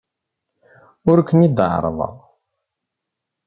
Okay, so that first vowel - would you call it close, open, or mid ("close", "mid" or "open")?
close